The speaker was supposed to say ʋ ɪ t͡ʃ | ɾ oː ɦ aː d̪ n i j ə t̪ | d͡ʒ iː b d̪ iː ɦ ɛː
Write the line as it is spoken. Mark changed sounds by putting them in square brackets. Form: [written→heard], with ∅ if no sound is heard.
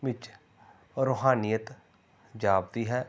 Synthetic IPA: ʋ ɪ t͡ʃ | ɾ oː ɦ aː [d̪→∅] n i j ə t̪ | d͡ʒ [iː→aː] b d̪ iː ɦ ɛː